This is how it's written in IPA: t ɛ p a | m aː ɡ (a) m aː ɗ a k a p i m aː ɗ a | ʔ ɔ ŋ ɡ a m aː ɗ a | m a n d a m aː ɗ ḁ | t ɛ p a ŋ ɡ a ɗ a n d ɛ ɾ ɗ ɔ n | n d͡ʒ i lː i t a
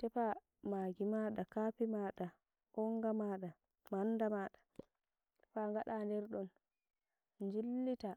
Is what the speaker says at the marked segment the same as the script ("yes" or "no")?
no